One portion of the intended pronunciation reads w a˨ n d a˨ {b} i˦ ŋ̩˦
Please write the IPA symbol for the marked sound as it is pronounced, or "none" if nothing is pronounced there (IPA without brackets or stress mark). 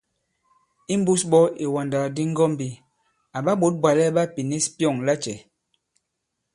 d